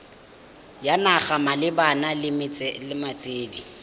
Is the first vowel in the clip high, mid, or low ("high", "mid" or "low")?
low